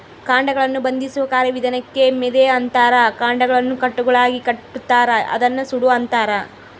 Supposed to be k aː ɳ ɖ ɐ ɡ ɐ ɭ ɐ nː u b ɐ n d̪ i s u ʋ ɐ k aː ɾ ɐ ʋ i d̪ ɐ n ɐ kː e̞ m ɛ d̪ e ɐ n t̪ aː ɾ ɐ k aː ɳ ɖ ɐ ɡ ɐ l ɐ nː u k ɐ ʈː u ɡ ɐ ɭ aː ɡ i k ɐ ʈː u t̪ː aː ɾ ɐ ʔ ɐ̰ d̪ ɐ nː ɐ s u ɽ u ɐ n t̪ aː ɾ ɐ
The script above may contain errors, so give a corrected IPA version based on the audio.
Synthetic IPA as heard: k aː ɳ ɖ ɐ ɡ ɐ ɭ ɐ nː u b ɐ n d̪ i s u ʋ ɐ k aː ɾ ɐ ʋ i d̪ ɐ n ɐ kː e̞ m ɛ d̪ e ɐ n t̪ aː ɾ ɐ k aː ɳ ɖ ɐ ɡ ɐ ɭ ɐ nː u k ɐ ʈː u ɡ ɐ ɭ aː ɡ i k ɐ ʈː u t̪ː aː ɾ ɐ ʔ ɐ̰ d̪ ɐ nː ɐ s u ɽ u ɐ n t̪ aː ɾ ɐ